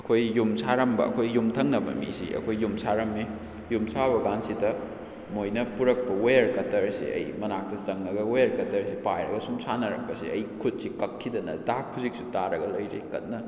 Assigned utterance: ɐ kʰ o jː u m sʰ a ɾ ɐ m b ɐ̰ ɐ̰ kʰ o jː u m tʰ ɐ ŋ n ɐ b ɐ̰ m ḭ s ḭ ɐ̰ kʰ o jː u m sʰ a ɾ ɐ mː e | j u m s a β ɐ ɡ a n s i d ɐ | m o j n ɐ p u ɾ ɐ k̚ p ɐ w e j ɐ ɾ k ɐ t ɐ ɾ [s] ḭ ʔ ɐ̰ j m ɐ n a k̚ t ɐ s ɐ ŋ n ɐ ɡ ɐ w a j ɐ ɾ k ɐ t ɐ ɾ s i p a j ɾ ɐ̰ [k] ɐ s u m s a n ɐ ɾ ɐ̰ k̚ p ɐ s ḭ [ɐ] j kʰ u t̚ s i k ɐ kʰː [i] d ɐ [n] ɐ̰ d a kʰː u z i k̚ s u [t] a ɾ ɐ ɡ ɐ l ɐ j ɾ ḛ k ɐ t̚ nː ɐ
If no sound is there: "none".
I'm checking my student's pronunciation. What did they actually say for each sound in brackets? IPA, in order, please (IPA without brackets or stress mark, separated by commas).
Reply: s, ɡ, ɐ, i, n, t